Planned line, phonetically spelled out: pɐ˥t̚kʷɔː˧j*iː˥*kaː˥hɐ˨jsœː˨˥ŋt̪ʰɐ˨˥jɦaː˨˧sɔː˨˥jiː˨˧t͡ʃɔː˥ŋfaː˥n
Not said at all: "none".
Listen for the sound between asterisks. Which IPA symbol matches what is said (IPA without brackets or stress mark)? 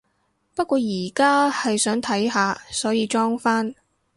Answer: iː˨˩